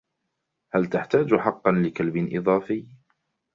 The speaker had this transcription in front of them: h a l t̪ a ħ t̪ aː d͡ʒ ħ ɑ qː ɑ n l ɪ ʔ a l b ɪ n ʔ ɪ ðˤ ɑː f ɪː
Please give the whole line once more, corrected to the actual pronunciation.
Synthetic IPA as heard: h a l t̪ a ħ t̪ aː d͡ʒ ħ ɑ qː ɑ n l ɪ k a l b ɪ n ʔ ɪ ðˤ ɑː f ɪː